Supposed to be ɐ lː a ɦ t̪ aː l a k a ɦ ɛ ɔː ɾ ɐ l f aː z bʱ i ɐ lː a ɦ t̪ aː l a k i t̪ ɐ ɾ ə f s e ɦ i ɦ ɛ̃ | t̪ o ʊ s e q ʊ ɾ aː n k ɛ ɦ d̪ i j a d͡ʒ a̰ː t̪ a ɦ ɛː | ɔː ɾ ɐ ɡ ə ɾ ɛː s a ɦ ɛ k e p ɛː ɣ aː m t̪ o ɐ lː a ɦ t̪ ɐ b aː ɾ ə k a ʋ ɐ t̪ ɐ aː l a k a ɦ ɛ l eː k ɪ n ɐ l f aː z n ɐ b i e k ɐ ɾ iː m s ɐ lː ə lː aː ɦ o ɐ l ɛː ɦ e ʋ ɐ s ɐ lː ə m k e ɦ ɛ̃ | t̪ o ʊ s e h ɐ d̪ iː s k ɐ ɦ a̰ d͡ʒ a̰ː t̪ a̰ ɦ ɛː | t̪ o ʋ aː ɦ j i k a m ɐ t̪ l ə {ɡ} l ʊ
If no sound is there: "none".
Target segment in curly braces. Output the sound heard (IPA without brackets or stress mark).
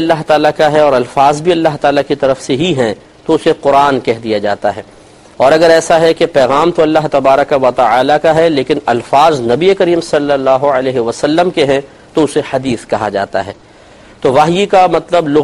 b